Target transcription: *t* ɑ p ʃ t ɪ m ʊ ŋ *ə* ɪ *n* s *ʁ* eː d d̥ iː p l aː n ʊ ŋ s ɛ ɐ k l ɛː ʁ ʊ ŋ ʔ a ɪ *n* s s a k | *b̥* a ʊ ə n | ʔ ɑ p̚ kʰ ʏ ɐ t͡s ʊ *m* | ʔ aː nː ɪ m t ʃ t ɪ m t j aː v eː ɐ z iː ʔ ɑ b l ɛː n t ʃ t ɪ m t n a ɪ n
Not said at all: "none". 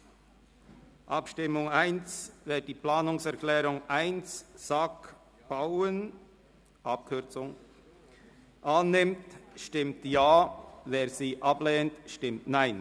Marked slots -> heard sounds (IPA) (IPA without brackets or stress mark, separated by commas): ʔ, a, n, v, n, b̥, ŋ